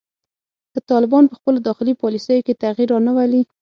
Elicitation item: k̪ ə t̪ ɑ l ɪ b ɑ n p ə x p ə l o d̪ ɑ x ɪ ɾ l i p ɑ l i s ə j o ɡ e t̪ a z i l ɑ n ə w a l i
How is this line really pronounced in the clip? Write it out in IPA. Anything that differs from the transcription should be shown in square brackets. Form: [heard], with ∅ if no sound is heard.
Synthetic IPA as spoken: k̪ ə t̪ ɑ l ɪ b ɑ n p ə x p ə l o d̪ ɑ x ɪ [∅] l i p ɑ l i s ə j o [k] e t̪ a [ɣ] i [ɾ] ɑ n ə w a l i